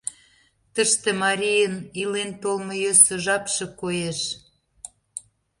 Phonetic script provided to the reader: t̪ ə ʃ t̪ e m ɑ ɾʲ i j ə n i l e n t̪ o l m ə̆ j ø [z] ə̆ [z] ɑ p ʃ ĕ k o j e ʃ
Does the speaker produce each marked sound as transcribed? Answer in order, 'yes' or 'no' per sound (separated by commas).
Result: no, no